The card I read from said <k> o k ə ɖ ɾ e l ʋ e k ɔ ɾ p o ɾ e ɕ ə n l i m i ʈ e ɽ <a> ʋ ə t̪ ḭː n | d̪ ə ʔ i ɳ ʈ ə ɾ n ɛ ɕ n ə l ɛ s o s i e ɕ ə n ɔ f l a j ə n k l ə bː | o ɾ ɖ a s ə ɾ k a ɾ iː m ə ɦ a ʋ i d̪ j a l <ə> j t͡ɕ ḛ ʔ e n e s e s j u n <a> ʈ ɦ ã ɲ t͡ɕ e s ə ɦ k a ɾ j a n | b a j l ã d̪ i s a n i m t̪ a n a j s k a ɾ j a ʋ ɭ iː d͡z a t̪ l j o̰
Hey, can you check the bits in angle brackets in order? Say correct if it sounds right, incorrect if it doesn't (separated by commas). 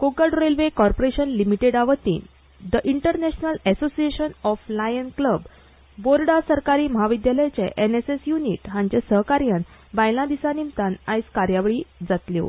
correct, correct, correct, incorrect